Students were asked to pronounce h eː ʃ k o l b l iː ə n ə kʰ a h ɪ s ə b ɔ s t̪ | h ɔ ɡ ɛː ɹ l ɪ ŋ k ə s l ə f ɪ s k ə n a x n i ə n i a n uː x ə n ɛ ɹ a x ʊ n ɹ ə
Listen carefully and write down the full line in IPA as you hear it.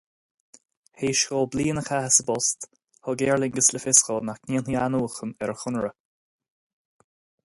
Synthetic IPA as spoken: h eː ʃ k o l b l iː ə n ə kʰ a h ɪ s ə b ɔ s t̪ | h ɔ ɡ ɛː ɹ l ɪ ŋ ɡ ə s l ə f ɪ s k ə n a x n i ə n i a n uː x ə n ɛ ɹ ə x ʊ n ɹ ə

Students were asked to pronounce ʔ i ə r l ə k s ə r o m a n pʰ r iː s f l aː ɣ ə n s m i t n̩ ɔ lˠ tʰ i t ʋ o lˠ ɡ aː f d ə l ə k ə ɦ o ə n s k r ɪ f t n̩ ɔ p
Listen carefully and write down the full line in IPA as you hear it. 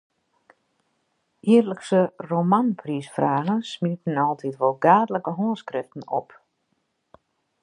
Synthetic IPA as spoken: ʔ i ə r l ə k s ə r o m a n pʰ r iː s f r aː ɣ ə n s m i t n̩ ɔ lˠ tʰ i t ʋ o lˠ ɡ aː d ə l ə k ə ɦ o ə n s k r ɪ f t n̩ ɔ p

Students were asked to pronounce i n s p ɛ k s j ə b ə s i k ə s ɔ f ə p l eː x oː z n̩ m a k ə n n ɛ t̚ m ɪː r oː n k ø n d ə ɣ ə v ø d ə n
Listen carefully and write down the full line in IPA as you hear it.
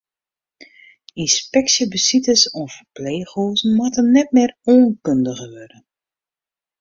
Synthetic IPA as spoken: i n s p ɛ k s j ə b ə s i t ə s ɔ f ə p l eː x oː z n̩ m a t ə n n ɛ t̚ m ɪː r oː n k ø n d ə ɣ ə ʋ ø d ə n

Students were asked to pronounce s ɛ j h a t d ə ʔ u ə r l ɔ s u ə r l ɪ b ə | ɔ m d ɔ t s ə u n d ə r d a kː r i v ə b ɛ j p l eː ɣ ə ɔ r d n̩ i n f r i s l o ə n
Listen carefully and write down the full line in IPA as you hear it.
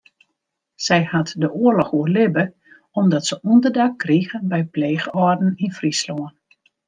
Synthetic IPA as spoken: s ɛ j h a t d ə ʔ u ə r l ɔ x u ə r l ɪ b ə | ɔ m d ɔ t s ə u n d ə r d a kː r i ɣ ə b ɛ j p l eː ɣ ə ɔ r d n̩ i n f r i s l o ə n

